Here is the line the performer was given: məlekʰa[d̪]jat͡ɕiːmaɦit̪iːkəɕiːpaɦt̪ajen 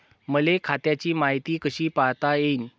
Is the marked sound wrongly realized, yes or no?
yes